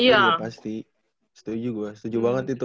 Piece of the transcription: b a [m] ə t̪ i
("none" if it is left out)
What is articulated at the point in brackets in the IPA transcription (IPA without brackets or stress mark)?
ŋ